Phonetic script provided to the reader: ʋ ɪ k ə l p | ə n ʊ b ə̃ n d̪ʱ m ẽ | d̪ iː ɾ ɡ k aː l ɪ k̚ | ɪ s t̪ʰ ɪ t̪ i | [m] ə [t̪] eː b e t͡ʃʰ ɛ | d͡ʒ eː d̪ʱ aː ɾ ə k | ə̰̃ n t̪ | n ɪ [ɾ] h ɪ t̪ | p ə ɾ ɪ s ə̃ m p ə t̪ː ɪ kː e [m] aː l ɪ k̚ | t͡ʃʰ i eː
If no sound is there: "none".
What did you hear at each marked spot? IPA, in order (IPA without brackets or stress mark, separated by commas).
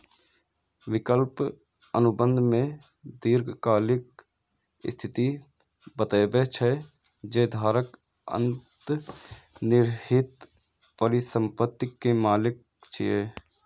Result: b, t̪, ɾ, m